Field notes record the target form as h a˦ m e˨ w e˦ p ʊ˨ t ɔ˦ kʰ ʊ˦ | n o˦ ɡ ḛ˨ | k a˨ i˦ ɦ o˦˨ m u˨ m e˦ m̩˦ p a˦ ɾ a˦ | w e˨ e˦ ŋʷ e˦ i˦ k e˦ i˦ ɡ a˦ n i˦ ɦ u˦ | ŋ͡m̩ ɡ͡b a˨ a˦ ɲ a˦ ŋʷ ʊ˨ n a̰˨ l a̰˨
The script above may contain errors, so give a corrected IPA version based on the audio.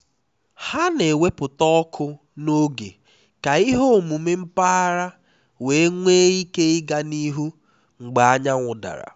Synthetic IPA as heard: h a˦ n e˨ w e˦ p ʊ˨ t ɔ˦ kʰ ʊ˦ | n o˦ ɡ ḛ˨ | k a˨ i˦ ɦ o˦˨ m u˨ m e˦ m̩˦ p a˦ ɾ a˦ | w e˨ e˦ ŋʷ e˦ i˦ k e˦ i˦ ɡ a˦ n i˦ ɦ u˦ | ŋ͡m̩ ɡ͡b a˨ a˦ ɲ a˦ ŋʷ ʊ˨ d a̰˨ ɾ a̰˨

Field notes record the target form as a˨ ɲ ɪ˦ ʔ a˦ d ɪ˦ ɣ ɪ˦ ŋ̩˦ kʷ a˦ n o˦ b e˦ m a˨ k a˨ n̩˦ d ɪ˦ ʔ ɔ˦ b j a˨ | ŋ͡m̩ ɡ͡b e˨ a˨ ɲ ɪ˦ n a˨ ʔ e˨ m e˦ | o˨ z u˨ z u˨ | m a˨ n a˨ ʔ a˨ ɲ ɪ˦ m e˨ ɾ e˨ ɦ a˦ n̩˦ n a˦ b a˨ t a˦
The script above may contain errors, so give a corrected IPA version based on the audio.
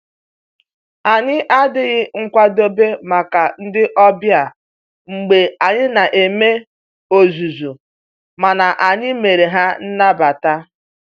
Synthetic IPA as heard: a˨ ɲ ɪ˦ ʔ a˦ d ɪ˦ ɣ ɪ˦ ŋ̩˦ kʷ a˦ d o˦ b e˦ m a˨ k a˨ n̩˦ d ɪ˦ ʔ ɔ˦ b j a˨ | ŋ͡m̩ ɡ͡b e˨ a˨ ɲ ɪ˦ n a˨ ʔ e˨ m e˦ | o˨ z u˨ z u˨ | m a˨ n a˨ ʔ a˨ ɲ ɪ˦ m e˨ ɾ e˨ ɦ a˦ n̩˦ n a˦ b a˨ t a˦

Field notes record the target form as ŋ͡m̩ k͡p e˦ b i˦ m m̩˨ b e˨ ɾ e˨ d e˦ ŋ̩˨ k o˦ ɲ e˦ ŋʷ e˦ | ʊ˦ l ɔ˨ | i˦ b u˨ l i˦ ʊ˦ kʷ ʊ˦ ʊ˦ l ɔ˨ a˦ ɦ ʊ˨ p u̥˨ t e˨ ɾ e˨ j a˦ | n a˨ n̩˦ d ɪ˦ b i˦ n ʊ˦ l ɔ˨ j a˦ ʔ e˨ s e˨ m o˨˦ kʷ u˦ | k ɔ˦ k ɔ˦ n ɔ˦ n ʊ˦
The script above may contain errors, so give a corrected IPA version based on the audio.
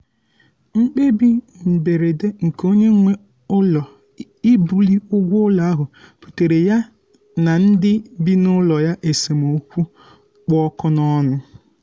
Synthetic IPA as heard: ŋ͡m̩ k͡p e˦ b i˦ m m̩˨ b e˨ ɾ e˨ d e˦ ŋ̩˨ k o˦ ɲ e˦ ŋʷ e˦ | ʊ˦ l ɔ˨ | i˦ b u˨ l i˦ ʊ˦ ɡʷ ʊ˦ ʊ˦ l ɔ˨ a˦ ɦ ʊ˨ p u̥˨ t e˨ ɾ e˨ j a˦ | n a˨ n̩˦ d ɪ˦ b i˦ n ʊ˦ l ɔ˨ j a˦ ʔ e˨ s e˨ m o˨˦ kʷ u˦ | k͡p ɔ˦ k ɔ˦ n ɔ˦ n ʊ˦

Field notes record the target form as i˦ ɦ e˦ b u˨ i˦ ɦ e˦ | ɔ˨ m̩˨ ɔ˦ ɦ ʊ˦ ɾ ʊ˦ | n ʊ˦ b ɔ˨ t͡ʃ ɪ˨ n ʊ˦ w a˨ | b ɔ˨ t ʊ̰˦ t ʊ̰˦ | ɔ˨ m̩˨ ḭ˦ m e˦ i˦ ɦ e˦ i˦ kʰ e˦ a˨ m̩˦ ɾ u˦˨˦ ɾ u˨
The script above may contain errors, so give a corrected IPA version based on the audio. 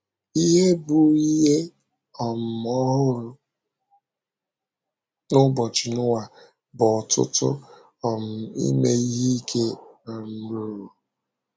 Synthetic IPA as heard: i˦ ɦ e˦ b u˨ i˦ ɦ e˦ | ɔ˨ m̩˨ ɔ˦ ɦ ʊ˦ ɾ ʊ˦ | n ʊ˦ b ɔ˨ t͡ʃ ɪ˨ n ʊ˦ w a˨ | b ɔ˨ t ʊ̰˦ t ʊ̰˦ | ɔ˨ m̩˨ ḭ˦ m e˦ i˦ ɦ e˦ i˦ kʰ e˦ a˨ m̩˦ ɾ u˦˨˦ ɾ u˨

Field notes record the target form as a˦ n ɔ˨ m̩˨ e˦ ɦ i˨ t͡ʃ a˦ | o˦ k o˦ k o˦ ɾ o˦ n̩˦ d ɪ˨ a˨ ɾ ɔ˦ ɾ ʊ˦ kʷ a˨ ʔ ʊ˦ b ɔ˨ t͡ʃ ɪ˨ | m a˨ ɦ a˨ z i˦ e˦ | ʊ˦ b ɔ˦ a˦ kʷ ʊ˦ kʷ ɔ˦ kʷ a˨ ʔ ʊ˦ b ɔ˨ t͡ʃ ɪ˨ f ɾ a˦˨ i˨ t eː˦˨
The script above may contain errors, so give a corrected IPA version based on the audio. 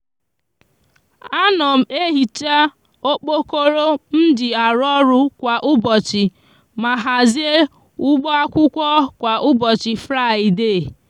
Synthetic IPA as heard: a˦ n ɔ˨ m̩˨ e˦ ɦ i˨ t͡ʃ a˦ | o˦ k͡p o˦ k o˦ ɾ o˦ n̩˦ d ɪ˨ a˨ ɾ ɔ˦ ɾ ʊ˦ kʷ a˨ ʔ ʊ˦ b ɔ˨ t͡ʃ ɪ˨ | m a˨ ɦ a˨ z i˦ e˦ | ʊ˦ ɡ͡b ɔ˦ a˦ kʷ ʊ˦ kʷ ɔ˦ kʷ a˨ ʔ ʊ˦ b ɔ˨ t͡ʃ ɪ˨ f ɾ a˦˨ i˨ d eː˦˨

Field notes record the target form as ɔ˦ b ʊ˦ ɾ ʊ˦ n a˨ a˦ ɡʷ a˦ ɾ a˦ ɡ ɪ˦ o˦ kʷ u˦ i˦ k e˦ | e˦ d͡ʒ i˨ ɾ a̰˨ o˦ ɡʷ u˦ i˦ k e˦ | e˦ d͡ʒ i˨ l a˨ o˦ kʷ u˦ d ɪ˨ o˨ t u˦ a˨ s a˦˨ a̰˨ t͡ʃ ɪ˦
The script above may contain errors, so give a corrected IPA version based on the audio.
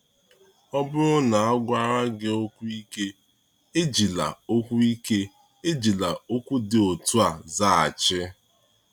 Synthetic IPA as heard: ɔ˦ b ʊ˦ ɾ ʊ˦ n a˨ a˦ ɡʷ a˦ ɾ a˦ ɡ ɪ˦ o˦ kʷ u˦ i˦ k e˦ | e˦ d͡ʒ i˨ l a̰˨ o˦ kʷ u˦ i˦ k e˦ | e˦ d͡ʒ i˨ l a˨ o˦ kʷ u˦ d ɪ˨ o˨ t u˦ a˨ z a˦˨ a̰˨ t͡ʃ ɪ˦

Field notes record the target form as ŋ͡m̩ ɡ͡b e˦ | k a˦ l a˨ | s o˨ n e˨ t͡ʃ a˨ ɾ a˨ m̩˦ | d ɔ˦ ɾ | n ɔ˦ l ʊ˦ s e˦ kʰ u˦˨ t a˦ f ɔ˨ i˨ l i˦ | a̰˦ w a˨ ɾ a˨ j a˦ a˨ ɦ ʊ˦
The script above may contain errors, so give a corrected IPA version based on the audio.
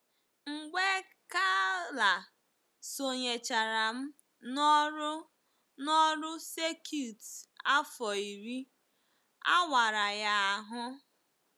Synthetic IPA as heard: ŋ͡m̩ ɡ͡b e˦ | k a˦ l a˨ | s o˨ ɲ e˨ t͡ʃ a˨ ɾ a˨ m̩˦ | n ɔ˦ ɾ | n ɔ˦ ɾ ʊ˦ s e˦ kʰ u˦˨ t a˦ f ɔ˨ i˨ ɾ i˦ | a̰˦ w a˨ ɾ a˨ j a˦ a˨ ɦ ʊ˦

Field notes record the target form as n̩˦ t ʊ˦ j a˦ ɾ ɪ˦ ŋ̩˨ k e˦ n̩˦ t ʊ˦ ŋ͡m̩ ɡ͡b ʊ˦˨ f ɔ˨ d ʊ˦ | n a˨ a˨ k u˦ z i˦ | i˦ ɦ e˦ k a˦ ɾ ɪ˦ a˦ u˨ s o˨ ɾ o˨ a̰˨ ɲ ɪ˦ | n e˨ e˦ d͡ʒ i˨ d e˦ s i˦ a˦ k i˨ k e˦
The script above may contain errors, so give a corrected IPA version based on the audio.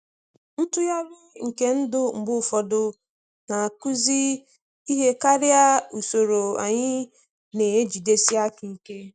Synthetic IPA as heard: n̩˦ t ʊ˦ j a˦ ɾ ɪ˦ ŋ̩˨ k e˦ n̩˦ d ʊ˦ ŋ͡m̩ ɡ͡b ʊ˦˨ f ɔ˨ d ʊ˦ | n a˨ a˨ k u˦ z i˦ | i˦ ɦ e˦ k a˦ ɾ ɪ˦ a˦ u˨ s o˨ ɾ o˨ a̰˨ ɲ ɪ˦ | n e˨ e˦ d͡ʒ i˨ d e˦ s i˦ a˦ k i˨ k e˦

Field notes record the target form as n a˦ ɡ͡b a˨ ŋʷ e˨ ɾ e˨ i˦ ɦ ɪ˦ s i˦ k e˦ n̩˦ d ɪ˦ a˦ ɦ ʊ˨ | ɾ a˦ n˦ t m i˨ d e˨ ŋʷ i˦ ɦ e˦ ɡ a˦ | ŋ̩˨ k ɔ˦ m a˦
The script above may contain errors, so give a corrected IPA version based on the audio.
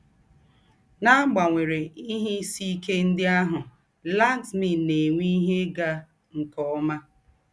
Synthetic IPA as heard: n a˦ ɡ͡b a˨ ŋʷ e˨ ɾ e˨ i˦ ɦ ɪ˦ s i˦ k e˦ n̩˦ d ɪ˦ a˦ ɦ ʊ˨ | l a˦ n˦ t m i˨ n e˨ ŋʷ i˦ ɦ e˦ ɡ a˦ | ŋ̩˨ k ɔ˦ m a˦

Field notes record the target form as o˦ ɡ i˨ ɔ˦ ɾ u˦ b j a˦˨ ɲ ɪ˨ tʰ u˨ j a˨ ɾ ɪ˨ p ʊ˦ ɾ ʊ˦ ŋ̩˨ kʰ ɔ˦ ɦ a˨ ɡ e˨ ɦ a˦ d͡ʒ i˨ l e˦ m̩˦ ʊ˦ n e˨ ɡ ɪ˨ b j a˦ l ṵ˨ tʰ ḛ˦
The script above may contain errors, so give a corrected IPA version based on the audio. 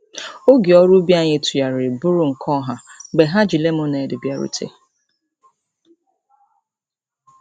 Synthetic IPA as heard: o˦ ɡ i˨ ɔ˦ ɾ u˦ b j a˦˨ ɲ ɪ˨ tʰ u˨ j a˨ ɾ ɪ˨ b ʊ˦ ɾ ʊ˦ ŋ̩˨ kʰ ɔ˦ ɦ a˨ ɡ͡b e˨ ɦ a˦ d͡ʒ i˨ l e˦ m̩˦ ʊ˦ n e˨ d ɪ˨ b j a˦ ɾ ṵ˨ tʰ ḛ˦

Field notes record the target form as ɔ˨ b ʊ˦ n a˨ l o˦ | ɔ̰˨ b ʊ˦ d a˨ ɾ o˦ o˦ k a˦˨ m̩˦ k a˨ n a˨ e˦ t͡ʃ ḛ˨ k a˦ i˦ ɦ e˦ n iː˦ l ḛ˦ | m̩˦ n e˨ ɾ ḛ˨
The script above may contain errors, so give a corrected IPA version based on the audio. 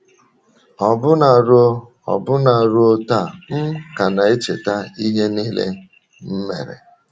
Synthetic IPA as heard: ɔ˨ b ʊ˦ n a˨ ɾ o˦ | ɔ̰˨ b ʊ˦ n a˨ ɾ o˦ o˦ t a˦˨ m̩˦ k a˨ n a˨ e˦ t͡ʃ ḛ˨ t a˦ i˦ ɦ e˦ n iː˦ l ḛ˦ | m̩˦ m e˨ ɾ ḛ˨

